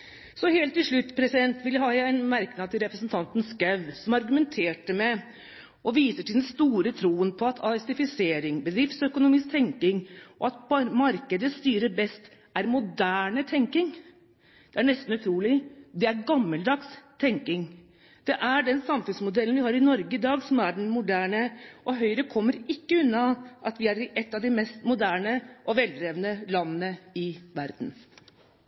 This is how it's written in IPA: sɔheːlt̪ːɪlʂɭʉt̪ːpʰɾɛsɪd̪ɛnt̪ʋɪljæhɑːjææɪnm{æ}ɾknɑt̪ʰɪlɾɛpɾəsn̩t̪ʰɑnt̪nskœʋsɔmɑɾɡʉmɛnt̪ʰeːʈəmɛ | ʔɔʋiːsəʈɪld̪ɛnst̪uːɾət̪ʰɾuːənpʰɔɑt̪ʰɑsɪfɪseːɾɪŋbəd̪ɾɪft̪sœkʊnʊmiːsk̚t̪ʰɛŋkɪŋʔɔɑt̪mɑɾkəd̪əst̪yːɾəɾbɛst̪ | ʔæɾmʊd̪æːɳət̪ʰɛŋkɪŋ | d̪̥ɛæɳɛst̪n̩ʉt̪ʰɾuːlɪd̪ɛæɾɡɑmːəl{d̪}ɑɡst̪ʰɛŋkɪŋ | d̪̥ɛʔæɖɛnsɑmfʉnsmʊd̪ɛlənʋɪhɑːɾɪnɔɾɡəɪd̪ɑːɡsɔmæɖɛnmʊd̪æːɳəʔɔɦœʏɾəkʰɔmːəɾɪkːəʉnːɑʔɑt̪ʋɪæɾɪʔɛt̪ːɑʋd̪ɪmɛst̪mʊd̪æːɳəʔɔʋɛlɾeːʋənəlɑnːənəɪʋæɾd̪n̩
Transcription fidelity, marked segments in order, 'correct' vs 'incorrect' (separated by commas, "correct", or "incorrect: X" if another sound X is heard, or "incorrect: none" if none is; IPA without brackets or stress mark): correct, correct